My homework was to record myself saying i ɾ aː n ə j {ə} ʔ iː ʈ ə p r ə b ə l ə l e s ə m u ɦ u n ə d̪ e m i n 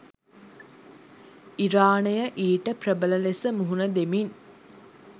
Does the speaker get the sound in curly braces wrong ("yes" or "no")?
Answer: no